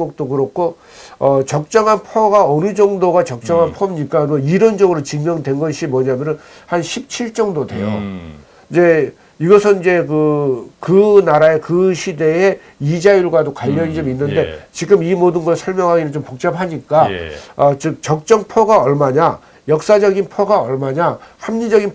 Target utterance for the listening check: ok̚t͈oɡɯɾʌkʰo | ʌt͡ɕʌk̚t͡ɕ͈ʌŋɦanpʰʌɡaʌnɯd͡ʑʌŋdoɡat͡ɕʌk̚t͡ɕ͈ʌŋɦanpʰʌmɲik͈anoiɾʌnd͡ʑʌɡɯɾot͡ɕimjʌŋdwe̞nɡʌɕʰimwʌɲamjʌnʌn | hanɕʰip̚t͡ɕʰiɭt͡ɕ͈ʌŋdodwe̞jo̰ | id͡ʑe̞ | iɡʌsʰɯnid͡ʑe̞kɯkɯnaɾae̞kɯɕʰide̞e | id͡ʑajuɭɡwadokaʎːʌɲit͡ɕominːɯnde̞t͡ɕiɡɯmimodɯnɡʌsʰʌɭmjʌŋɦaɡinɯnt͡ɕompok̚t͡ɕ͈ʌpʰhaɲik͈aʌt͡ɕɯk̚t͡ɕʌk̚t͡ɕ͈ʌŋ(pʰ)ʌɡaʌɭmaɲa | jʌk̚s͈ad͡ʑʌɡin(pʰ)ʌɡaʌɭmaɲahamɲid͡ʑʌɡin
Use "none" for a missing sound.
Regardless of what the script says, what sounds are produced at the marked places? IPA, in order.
pʰ, pʰ

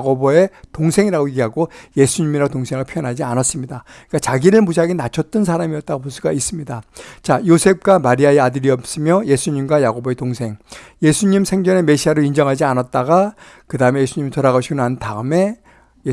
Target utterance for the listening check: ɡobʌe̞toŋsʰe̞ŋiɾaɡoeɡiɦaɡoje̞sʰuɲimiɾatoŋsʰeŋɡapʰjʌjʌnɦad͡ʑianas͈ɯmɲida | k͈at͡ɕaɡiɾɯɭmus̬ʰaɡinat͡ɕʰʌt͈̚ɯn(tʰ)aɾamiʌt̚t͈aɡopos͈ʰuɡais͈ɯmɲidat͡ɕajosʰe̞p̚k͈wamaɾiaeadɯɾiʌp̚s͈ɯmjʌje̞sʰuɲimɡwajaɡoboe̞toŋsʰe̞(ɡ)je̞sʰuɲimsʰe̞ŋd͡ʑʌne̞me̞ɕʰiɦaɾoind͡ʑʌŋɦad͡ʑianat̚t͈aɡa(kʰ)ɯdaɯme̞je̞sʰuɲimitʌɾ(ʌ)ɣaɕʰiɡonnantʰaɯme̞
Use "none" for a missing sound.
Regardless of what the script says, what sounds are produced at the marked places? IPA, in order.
sʰ, ŋ, k, a

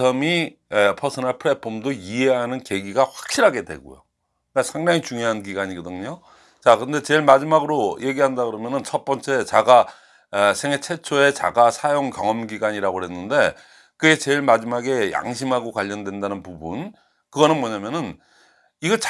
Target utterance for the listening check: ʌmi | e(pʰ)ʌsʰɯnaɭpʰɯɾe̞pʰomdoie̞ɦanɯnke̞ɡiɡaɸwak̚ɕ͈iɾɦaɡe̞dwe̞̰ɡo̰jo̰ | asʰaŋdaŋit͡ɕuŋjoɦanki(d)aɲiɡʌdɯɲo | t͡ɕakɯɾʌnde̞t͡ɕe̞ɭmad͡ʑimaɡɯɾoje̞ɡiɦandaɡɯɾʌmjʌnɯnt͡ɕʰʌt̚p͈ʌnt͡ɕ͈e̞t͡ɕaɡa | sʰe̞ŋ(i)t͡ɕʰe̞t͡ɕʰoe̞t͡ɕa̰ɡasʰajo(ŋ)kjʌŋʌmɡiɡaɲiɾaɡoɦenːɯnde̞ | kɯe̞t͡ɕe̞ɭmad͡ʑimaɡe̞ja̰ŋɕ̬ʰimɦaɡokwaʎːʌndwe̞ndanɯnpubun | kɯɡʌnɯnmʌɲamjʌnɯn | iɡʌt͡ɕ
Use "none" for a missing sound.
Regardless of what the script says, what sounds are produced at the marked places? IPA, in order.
pʰ, ɡ, e, ŋ

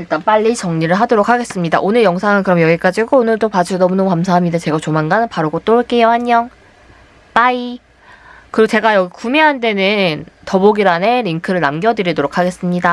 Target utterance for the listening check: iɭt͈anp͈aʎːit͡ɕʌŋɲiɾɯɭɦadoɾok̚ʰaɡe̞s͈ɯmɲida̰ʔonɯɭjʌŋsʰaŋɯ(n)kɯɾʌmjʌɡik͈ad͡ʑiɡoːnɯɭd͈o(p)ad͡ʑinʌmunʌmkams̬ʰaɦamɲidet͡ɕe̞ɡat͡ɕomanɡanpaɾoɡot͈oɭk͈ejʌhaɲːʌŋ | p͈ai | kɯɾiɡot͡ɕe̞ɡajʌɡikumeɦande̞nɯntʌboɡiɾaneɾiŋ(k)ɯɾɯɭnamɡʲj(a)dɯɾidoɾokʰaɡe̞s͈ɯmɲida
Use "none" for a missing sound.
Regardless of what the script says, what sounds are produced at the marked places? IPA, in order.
n, p, kʰ, ʌ

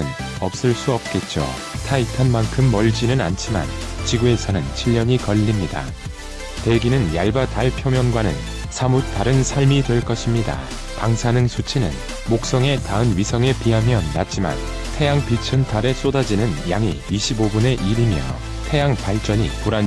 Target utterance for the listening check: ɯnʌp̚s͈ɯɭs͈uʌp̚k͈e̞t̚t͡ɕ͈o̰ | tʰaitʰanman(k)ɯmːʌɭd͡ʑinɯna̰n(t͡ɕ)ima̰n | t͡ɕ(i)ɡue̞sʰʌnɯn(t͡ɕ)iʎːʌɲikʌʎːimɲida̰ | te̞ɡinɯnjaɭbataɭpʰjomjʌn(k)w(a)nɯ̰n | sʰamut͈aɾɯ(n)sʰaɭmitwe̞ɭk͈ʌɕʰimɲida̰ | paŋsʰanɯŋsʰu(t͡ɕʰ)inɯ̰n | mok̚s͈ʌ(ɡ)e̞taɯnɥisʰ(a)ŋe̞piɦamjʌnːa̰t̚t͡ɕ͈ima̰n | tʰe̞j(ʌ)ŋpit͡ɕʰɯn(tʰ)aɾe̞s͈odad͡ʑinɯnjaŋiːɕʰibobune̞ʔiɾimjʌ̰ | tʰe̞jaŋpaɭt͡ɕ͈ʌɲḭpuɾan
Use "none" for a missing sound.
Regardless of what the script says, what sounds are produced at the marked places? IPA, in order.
kʰ, t͡ɕʰ, i, t͡ɕʰ, ɡ, a, n, t͡ɕʰ, ŋ, ʌ, a, tʰ

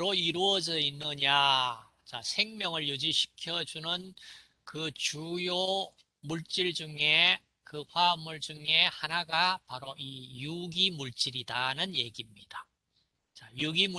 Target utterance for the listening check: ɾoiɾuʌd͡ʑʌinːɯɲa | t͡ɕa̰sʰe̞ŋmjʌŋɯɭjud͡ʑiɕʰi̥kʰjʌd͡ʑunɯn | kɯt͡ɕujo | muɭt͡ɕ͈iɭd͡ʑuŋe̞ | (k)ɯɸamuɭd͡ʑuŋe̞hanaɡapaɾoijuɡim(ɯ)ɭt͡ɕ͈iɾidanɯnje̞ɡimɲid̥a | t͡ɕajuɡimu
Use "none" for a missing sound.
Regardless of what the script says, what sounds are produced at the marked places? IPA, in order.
k, u

